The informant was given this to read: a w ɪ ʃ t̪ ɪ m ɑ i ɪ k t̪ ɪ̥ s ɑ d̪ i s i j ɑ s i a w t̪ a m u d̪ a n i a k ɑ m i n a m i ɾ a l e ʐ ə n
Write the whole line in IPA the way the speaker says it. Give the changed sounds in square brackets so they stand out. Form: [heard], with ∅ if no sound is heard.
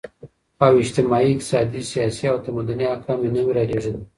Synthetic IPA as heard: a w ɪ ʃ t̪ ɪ m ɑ i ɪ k t̪ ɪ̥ s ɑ d̪ i s i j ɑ s i a w t̪ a m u d̪ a n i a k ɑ m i n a m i ɾ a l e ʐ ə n